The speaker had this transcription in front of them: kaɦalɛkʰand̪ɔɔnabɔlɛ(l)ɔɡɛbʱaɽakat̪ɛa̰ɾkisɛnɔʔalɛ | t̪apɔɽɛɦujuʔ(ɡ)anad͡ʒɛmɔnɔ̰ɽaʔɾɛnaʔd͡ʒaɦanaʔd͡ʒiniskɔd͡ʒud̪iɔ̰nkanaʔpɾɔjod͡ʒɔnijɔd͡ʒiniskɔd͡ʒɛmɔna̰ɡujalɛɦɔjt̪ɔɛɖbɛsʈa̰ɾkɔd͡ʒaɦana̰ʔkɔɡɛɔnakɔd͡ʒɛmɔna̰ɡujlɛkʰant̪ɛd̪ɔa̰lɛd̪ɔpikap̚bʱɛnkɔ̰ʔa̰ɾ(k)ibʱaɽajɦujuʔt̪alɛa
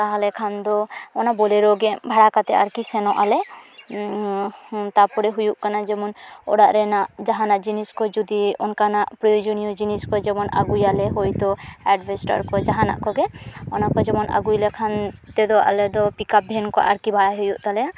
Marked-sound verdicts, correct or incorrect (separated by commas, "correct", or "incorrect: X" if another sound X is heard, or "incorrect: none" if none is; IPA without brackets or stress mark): incorrect: ɾ, incorrect: k, correct